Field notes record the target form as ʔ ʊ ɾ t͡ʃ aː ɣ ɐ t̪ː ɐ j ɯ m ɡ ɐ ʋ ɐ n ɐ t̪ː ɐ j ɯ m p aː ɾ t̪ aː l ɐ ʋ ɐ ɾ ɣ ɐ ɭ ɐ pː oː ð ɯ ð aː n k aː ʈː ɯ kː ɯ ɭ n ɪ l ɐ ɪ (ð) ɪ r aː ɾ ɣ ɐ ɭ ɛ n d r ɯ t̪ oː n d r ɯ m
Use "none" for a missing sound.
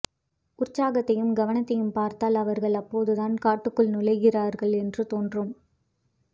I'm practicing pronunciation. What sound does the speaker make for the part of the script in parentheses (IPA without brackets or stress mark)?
ɣ